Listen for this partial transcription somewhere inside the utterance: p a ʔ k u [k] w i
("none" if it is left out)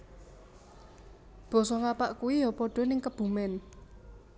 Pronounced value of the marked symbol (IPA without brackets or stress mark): none